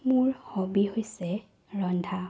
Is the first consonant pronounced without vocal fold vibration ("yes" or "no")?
no